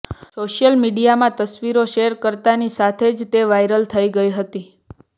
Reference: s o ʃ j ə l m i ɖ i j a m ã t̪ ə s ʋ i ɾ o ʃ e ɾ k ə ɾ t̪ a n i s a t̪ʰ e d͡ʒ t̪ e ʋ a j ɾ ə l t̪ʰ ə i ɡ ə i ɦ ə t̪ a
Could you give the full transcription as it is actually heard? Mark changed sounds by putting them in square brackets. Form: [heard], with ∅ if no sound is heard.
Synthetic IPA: s o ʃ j ə l m i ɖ i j a m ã t̪ ə s ʋ i ɾ o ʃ e ɾ k ə ɾ t̪ a n i s a t̪ʰ e d͡ʒ t̪ e ʋ a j ɾ ə l t̪ʰ ə i ɡ ə i ɦ ə t̪ [i]